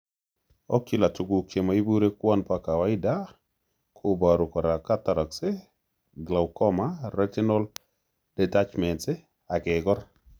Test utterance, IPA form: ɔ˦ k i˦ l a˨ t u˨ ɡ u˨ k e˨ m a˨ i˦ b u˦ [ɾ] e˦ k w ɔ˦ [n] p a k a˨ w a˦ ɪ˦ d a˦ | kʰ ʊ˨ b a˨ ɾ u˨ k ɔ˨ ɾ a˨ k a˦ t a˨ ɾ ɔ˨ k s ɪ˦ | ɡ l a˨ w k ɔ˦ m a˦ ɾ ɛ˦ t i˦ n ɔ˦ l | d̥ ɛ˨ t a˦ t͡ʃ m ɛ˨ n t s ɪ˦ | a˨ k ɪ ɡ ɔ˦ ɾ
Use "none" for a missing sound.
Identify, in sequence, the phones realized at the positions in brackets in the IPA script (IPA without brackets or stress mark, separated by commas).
ɾ, n